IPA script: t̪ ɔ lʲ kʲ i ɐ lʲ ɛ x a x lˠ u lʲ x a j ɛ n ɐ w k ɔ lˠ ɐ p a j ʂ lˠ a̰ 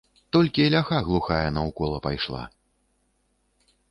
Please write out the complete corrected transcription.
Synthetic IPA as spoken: t̪ ɔ lʲ kʲ i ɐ lʲ a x a ɣ lˠ u x a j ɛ n ɐ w k ɔ lˠ ɐ p a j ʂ lˠ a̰